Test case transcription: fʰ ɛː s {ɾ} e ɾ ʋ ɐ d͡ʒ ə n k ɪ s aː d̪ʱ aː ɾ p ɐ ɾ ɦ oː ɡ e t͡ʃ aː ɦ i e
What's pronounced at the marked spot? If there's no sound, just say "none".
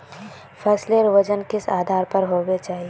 l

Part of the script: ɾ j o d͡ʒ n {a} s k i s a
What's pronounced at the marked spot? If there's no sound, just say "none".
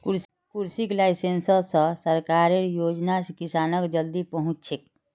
a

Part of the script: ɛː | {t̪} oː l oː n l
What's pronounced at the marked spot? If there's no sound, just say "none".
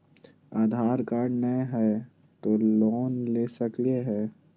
t̪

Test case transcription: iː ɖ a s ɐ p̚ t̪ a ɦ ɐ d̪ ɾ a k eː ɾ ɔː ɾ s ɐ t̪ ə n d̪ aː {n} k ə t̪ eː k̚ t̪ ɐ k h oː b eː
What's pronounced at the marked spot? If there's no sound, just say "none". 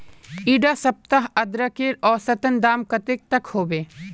m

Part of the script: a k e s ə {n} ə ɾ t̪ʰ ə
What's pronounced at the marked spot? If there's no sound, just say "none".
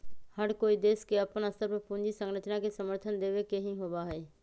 m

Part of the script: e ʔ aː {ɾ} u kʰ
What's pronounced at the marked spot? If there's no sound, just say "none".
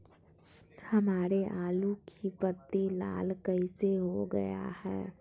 l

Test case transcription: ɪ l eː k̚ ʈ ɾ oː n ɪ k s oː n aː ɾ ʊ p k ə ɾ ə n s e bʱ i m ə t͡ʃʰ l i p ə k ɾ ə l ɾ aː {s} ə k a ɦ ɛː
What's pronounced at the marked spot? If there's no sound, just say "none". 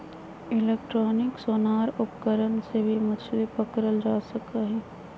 s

